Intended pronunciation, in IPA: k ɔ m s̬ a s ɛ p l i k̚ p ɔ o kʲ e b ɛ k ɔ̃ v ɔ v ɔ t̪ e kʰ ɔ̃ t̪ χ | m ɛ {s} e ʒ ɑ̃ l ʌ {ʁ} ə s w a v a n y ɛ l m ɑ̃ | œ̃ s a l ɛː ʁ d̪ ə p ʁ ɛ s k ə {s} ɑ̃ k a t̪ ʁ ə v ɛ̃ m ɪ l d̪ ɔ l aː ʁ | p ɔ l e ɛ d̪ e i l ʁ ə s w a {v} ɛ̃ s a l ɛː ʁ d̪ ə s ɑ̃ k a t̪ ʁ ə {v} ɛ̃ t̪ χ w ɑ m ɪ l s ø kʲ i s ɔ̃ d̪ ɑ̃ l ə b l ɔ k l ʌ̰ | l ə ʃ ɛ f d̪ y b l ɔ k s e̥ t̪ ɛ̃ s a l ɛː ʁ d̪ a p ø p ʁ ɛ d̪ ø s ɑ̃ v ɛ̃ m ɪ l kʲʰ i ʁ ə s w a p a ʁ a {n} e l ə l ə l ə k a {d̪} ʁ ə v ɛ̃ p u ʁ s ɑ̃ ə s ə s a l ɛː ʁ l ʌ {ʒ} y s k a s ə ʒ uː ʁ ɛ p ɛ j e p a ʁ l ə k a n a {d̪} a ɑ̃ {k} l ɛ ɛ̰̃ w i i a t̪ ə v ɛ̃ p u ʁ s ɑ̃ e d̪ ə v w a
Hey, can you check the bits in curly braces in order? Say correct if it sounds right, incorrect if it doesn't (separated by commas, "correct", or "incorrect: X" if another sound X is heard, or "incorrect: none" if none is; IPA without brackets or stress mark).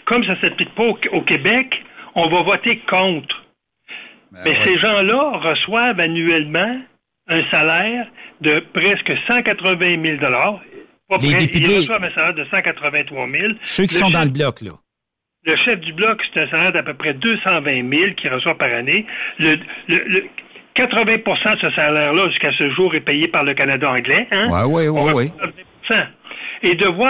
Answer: correct, correct, correct, correct, correct, correct, incorrect: t̪, correct, correct, incorrect: ɡ